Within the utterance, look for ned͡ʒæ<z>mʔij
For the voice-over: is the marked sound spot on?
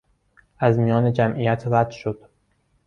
no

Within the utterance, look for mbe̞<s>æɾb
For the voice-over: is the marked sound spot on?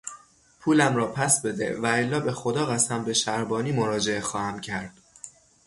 no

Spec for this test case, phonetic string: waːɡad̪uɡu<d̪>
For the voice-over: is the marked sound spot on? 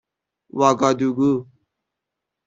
no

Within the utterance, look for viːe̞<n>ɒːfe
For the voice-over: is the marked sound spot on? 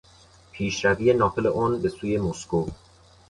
yes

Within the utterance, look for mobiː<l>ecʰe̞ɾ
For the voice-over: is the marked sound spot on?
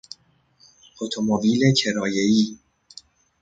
yes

